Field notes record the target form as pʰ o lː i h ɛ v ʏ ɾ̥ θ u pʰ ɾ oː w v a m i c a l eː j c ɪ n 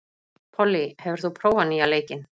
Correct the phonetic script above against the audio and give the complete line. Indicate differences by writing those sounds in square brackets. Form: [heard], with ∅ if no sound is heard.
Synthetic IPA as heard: pʰ [ɔ] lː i h ɛ v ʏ ɾ̥ θ u pʰ ɾ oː w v a [n] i [∅] a l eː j c ɪ n